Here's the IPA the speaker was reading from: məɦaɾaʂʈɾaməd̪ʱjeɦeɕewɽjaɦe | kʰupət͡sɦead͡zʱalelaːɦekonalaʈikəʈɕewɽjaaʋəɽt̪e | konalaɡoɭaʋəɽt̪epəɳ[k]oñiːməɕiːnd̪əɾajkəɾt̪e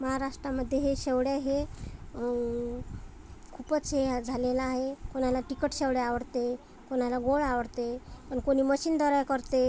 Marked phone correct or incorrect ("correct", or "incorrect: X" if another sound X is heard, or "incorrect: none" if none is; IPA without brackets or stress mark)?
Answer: correct